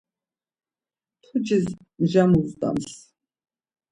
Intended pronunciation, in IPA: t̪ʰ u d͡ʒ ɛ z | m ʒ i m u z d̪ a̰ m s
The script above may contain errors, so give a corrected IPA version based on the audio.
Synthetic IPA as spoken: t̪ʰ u d͡ʒ i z | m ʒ a m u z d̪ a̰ m s